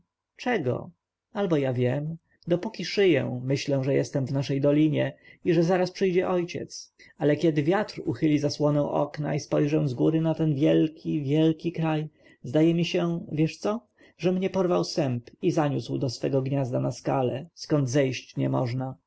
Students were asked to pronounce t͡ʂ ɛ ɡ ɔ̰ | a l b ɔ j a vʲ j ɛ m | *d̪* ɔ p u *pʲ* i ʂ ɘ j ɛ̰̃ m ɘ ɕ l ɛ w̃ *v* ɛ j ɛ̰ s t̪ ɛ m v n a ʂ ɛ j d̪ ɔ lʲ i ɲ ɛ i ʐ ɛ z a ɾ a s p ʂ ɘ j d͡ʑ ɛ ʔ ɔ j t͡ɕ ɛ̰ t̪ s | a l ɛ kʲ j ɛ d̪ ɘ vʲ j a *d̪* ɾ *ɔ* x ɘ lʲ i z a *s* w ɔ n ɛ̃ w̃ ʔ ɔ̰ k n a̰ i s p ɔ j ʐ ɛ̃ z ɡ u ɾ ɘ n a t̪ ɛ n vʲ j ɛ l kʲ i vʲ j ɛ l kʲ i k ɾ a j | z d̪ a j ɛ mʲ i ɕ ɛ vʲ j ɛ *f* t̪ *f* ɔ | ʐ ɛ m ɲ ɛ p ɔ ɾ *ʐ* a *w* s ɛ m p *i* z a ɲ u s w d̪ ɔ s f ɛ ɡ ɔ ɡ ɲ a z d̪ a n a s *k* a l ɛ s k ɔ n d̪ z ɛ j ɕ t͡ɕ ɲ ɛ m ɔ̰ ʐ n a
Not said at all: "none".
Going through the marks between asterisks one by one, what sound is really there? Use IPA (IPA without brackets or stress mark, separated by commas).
d̪, kʲ, ʐ, t̪, u, s, ʂ, s, v, w, i, k